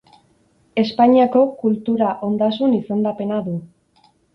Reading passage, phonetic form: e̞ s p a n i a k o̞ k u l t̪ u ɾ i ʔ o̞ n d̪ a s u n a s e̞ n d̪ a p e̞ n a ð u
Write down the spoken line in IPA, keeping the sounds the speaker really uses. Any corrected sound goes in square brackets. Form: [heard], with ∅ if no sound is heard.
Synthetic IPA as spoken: e̞ s p a [ɲ] i a k o̞ k u l t̪ u ɾ [a] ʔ o̞ n d̪ a s u n [i] s e̞ n d̪ a p e̞ n a ð u